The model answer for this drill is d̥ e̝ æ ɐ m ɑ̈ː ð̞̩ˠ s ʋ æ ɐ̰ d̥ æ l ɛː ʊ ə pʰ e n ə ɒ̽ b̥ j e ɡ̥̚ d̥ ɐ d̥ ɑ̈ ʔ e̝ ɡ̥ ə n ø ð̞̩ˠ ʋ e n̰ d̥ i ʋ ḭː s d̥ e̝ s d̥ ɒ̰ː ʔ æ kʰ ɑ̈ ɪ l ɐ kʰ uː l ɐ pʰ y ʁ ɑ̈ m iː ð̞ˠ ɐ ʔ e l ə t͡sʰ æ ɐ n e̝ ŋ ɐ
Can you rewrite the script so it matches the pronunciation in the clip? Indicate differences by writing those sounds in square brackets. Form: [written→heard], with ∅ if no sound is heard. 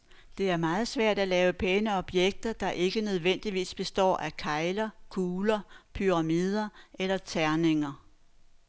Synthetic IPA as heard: d̥ e̝ æ ɐ m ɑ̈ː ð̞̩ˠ s ʋ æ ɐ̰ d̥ æ l ɛː ʊ ə pʰ e n ə ɒ̽ b̥ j e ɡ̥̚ d̥ ɐ d̥ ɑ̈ ʔ e̝ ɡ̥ ə n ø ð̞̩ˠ ʋ e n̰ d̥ i ʋ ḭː s [d̥→b̥] e̝ s d̥ ɒ̰ː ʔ æ kʰ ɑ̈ ɪ l ɐ kʰ uː l ɐ pʰ y ʁ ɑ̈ m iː ð̞ˠ ɐ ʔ e l [ə→ɐ] t͡sʰ æ ɐ n e̝ ŋ ɐ

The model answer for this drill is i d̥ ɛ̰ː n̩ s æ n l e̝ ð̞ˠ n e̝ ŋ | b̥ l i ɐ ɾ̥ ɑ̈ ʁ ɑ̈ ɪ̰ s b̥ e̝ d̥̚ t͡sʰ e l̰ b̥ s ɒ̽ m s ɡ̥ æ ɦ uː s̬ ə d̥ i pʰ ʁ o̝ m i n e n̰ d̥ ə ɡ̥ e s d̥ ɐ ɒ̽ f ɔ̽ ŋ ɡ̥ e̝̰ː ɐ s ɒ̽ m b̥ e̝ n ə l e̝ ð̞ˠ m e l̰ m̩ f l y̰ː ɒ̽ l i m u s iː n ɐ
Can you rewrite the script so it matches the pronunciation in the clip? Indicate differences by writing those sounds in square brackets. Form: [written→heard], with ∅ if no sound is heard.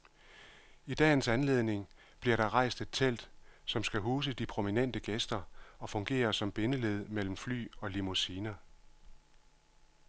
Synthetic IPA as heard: i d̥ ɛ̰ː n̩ s æ n l e̝ ð̞ˠ n e̝ ŋ | b̥ l i ɐ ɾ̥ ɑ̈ ʁ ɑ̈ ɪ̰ s [b̥→d̥] e̝ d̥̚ t͡sʰ e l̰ [b̥→d̥] s ɒ̽ m s ɡ̥ æ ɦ uː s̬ ə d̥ i pʰ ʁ o̝ m i n e n̰ d̥ ə ɡ̥ e s d̥ ɐ ɒ̽ f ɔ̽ ŋ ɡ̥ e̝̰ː ɐ s ɒ̽ m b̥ e̝ n ə l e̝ ð̞ˠ m e l̰ m̩ f l y̰ː ɒ̽ l i m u s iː n ɐ

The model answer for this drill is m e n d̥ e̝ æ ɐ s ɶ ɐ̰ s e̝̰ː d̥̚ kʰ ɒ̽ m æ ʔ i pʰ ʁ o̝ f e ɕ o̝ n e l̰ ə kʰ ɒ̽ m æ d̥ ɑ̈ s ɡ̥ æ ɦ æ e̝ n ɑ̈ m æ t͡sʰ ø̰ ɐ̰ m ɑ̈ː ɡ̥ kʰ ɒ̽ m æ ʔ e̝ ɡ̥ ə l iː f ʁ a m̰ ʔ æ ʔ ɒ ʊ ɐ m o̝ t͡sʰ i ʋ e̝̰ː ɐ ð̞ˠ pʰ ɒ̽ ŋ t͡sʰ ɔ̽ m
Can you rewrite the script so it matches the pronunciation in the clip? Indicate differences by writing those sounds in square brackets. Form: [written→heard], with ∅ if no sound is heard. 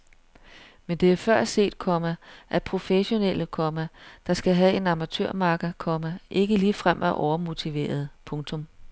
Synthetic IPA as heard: m e n d̥ e̝ æ ɐ [s→f] ɶ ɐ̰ s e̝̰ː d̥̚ kʰ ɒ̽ m æ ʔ [i→æ] pʰ ʁ o̝ f e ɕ o̝ n e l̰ ə kʰ ɒ̽ m æ d̥ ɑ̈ s ɡ̥ æ ɦ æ e̝ n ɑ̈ m æ t͡sʰ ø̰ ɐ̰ m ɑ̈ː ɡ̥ kʰ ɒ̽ m æ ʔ e̝ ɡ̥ ə l iː f ʁ a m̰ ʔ æ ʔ ɒ ʊ ɐ m o̝ t͡sʰ i ʋ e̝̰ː ɐ ð̞ˠ pʰ [ɒ̽→ɔ̽] ŋ t͡sʰ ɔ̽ m

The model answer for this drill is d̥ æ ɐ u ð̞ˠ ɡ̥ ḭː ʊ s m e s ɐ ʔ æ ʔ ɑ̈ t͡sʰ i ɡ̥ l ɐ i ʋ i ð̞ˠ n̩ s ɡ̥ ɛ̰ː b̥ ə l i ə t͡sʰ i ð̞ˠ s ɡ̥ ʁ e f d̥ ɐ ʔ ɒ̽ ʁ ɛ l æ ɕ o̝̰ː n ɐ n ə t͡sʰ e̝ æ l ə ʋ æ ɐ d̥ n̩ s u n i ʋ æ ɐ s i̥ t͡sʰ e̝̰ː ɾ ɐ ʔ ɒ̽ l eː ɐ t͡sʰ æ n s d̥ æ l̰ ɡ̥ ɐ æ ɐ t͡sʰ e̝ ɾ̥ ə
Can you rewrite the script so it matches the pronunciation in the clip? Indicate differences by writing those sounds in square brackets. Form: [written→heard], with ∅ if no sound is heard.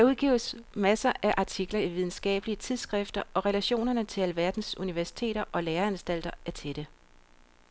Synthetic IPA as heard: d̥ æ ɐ u ð̞ˠ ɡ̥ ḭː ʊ s m [e→æ] s ɐ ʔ æ ʔ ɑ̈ t͡sʰ i ɡ̥ l ɐ i ʋ i ð̞ˠ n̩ s ɡ̥ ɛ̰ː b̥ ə l i ə t͡sʰ i ð̞ˠ s ɡ̥ ʁ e f d̥ ɐ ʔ ɒ̽ ʁ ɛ l æ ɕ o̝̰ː n ɐ n ə t͡sʰ e̝ æ l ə ʋ æ ɐ d̥ n̩ s u n i ʋ æ ɐ s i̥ t͡sʰ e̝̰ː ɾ ɐ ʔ ɒ̽ l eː ɐ [t͡sʰ→∅] æ n s d̥ æ l̰ [ɡ̥→d̥] ɐ æ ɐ t͡sʰ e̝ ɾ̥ ə

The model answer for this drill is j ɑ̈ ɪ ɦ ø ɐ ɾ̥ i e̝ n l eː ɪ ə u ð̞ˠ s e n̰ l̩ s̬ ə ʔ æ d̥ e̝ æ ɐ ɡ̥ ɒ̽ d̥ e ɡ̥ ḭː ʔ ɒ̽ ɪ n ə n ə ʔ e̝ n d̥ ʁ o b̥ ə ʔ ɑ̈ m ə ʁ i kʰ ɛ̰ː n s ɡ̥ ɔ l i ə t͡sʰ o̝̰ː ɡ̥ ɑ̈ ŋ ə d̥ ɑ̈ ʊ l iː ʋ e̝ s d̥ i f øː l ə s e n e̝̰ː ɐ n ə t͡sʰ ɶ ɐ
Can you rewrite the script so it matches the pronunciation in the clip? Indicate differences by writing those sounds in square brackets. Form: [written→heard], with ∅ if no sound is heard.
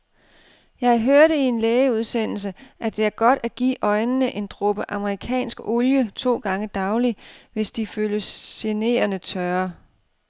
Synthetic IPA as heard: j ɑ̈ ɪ ɦ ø ɐ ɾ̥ i e̝ n l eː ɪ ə u ð̞ˠ s e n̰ l̩ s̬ ə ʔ æ d̥ e̝ æ ɐ ɡ̥ ɒ̽ d̥ [e→æ] ɡ̥ ḭː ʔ ɒ̽ ɪ n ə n ə ʔ e̝ n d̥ ʁ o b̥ ə ʔ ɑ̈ m ə ʁ i kʰ ɛ̰ː n s ɡ̥ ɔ l [i→j] ə t͡sʰ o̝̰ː ɡ̥ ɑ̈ ŋ ə d̥ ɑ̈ ʊ l [iː→i] ʋ e̝ s d̥ i f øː l ə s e n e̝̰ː ɐ n ə t͡sʰ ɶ ɐ

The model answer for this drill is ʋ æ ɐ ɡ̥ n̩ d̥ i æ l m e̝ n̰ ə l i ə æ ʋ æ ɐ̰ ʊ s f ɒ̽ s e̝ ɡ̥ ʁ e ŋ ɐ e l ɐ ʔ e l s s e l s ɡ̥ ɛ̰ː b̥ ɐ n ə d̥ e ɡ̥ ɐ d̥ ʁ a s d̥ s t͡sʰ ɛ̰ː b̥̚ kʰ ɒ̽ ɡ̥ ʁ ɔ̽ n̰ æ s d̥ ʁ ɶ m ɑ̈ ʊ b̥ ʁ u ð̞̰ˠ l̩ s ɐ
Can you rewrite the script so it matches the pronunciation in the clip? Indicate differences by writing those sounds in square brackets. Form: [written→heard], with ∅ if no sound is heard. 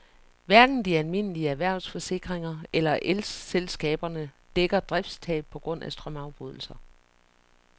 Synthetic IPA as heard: ʋ æ ɐ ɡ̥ n̩ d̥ i æ l m e̝ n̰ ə l i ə æ ʋ æ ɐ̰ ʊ s f ɒ̽ s e̝ ɡ̥ ʁ e ŋ ɐ e l ɐ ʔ e l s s e l s ɡ̥ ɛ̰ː b̥ ɐ n ə d̥ e ɡ̥ ɐ d̥ ʁ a [s→f] d̥ s t͡sʰ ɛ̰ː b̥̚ [kʰ→pʰ] ɒ̽ ɡ̥ ʁ ɔ̽ n̰ æ s d̥ ʁ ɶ m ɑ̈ ʊ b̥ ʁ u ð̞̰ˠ l̩ s ɐ

